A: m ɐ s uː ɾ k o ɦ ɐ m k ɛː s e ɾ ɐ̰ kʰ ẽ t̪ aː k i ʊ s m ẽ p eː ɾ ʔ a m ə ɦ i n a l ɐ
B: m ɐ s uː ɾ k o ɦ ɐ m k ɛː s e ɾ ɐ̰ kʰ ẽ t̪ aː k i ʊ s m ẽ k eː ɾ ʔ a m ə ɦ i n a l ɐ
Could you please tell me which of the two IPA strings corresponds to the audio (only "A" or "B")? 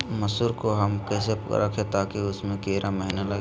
B